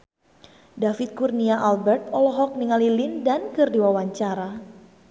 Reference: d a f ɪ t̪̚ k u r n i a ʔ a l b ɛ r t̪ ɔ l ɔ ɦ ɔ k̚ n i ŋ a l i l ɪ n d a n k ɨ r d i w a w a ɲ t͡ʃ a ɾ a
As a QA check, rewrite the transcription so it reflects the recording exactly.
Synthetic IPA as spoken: d a f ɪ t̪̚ k u r n i a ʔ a l b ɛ r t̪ ɔ l ɔ ɦ ɔ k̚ n i ŋ a l i l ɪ n d a n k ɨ r d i w a w a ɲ t͡ʃ a ɾ a